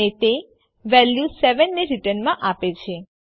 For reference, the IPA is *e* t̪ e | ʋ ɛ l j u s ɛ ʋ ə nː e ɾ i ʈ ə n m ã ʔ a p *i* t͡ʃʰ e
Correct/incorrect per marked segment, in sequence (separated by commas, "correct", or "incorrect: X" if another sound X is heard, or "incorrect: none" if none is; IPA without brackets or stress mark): correct, incorrect: e